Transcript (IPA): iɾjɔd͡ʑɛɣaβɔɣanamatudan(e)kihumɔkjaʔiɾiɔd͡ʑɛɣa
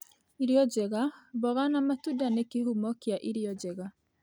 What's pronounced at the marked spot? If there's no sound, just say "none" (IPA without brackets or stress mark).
e